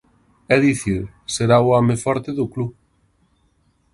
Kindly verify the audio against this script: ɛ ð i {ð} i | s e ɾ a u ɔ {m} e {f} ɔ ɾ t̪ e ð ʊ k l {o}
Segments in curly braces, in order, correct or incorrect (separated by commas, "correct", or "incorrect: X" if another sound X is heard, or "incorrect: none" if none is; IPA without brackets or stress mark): incorrect: θ, correct, correct, incorrect: u